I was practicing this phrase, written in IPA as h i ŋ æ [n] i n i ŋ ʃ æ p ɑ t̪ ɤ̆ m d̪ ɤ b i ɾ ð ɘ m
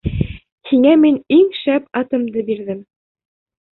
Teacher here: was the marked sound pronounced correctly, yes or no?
no